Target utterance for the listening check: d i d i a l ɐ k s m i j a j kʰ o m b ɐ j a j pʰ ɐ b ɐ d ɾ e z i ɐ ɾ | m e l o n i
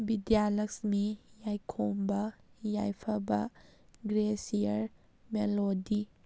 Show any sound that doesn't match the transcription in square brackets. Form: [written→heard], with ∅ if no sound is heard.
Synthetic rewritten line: [d→b] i d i a l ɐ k s m i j a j kʰ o m b ɐ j a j pʰ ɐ b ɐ [d→ɡ] ɾ e [z→s] i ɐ ɾ | m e l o [n→d] i